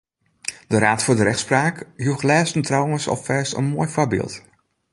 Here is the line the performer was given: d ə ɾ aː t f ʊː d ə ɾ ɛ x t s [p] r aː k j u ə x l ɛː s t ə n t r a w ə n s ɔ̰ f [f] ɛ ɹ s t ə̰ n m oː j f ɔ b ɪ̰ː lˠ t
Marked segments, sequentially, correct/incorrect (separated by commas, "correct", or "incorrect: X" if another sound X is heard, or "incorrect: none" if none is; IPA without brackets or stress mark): correct, correct